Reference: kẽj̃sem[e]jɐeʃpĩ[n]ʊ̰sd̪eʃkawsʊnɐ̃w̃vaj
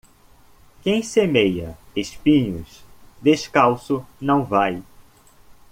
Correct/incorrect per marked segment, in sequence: correct, incorrect: ɲ

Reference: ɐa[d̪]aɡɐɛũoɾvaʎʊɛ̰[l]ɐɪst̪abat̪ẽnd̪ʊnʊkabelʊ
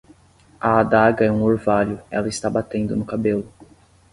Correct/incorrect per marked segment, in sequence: correct, correct

